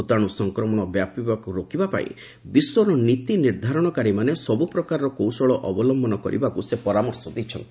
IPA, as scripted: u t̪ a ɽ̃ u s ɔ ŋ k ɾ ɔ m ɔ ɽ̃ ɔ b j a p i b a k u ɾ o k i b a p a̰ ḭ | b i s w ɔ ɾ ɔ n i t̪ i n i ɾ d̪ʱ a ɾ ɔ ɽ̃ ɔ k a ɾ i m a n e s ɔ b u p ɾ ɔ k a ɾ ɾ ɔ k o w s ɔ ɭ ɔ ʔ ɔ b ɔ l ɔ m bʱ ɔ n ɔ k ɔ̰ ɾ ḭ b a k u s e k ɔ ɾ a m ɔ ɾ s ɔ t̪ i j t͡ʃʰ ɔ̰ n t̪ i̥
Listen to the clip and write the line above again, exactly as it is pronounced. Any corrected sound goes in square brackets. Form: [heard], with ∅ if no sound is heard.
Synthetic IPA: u t̪ a ɽ̃ u s ɔ ŋ k ɾ ɔ m ɔ ɽ̃ ɔ b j a p i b a k u ɾ o k i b a p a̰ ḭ | b i s w ɔ ɾ ɔ n i t̪ i n i ɾ d̪ʱ a ɾ ɔ ɽ̃ ɔ k a ɾ i m a n e s ɔ b u p ɾ ɔ k a ɾ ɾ ɔ k o w s ɔ ɭ ɔ ʔ ɔ b ɔ l ɔ m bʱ ɔ n ɔ k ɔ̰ ɾ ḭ b a k u s e [p] ɔ ɾ a m ɔ ɾ s ɔ [d̪] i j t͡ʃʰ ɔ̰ n t̪ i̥